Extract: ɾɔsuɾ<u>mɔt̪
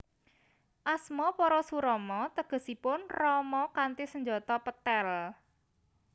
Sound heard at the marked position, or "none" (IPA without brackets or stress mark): ɔ